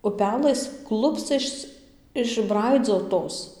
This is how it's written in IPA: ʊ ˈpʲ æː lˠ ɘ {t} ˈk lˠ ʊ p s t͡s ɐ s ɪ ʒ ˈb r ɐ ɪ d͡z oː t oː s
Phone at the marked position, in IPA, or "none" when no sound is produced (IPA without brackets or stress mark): s